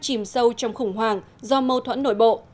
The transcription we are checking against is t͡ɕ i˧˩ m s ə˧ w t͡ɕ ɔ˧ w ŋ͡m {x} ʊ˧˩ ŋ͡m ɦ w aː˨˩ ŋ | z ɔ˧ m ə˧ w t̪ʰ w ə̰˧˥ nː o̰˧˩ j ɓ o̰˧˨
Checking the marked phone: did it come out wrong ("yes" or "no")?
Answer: no